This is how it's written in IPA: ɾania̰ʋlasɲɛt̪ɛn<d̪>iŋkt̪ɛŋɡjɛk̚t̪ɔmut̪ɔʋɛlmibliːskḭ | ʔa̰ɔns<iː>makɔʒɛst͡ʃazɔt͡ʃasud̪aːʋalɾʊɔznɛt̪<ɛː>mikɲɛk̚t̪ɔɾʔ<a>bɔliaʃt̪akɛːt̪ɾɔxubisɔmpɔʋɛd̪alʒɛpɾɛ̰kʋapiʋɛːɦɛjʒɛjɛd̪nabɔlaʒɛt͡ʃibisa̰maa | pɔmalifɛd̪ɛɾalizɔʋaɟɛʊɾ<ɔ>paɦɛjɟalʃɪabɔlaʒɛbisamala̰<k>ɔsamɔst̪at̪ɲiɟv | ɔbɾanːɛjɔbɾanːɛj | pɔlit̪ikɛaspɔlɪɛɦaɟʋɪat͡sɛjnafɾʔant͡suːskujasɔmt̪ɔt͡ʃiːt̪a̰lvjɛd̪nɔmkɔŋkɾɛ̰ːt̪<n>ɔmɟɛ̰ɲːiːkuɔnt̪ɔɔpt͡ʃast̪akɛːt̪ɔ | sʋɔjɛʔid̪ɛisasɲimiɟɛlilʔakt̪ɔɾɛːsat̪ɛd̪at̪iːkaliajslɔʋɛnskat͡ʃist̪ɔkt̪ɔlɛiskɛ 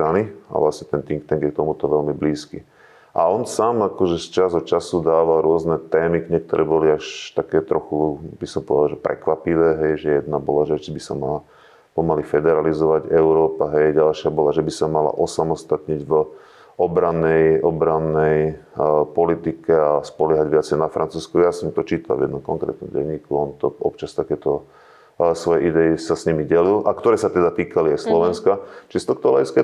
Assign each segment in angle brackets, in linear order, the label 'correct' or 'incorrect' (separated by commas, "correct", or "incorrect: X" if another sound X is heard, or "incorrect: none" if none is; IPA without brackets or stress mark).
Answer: incorrect: t̪, incorrect: aː, correct, incorrect: ɛ, incorrect: ɔː, incorrect: ʔ, correct